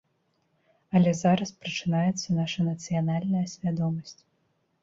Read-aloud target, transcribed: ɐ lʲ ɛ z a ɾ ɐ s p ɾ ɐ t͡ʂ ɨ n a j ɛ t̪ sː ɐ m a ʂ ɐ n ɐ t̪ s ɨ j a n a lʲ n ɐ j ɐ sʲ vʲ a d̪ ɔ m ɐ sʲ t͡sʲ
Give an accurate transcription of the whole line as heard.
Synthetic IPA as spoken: ɐ lʲ ɛ z a ɾ ɐ s p ɾ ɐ t͡ʂ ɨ n a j ɛ t̪ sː ɐ n a ʂ ɐ n ɐ t̪ s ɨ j a n a lʲ n ɐ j ɐ sʲ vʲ a d̪ ɔ m ɐ sʲ t͡sʲ